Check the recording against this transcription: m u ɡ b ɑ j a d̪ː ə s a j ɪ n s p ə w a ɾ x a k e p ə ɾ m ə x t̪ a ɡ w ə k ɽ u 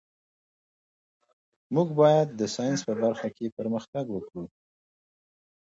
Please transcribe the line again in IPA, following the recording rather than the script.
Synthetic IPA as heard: m u ɡ b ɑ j a d̪ː ə s ɑ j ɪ n s p ə b a ɾ x a k e p ə ɾ m ə x t̪ a ɡ w ə k ɽ u